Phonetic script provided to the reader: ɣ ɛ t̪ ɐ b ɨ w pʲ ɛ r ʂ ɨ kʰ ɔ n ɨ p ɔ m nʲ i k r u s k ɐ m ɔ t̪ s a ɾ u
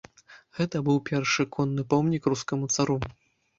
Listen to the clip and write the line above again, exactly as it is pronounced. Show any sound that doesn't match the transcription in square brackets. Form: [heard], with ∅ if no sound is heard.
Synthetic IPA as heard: ɣ ɛ t̪ ɐ b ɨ w pʲ ɛ r ʂ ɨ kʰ ɔ [nː] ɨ p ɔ m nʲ i k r u s k ɐ m [u] t̪ s a ɾ u